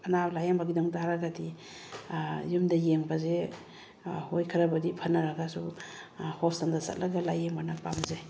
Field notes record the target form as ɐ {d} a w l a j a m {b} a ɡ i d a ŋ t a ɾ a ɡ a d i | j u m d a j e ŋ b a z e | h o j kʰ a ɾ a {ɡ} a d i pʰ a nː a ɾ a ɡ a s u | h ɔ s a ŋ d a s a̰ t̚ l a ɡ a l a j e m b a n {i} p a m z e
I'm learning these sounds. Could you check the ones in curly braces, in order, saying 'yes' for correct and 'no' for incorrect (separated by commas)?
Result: no, yes, no, no